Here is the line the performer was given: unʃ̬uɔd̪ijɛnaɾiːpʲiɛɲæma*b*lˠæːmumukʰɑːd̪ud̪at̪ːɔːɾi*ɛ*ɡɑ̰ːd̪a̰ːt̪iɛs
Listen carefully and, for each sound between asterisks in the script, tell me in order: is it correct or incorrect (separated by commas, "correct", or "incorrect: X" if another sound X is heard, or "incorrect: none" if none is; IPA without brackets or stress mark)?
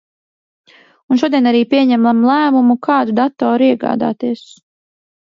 incorrect: m, correct